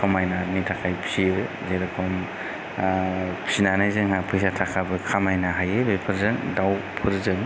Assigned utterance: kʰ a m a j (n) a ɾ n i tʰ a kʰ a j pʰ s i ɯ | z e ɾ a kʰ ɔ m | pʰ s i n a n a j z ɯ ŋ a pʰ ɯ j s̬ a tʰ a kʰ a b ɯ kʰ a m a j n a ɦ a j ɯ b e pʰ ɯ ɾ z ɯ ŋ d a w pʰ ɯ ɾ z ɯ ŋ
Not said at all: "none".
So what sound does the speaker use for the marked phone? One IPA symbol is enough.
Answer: n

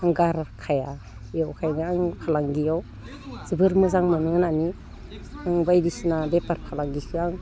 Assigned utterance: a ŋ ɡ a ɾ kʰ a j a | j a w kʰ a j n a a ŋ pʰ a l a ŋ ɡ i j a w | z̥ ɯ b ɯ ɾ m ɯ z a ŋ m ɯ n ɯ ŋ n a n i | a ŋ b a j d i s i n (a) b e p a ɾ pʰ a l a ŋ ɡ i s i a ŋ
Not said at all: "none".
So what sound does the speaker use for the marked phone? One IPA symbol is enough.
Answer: a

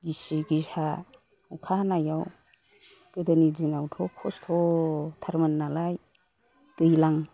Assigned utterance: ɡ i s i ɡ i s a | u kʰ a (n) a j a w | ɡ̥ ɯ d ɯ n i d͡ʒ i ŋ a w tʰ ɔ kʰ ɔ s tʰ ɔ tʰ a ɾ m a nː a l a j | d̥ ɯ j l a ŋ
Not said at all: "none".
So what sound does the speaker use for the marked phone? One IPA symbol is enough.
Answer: n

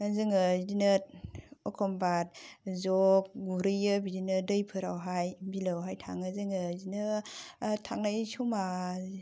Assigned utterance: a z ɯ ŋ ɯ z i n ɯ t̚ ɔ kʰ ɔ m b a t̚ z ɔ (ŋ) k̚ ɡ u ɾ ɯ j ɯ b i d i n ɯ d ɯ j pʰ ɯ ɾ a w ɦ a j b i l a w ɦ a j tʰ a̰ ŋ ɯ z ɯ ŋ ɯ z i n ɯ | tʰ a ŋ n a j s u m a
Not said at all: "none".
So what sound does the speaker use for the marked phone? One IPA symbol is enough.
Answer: none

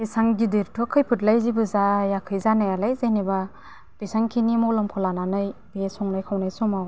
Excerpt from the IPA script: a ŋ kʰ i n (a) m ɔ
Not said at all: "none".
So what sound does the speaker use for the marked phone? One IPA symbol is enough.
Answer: i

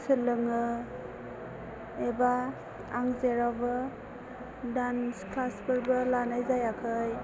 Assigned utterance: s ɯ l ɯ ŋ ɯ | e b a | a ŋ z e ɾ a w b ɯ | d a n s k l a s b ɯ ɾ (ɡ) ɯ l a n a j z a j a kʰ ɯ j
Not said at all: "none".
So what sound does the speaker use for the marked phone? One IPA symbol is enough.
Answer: b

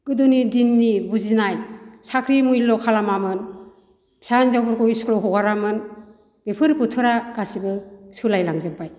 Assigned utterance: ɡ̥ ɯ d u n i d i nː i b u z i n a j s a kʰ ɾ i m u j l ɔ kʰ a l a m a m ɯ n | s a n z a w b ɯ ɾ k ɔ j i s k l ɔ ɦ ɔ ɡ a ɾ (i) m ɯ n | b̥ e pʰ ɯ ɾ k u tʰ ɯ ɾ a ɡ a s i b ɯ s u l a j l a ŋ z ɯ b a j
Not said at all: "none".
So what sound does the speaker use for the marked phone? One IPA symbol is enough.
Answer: a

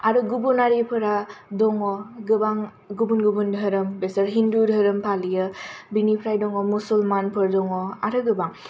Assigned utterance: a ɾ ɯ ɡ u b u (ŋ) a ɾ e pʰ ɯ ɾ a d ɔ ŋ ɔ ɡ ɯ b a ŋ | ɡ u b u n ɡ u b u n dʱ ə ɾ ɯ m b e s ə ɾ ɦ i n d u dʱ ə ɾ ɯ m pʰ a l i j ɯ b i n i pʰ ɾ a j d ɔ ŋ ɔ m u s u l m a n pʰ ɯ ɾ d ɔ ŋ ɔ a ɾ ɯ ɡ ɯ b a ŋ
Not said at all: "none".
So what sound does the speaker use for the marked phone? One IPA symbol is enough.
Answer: n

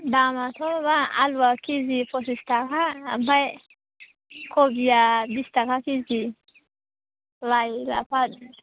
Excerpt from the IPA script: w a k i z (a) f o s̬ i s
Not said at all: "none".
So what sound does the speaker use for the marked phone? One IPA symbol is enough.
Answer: i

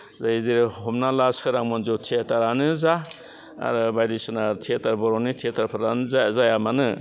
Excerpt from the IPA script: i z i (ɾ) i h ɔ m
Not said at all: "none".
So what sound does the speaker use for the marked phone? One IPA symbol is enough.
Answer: ɾ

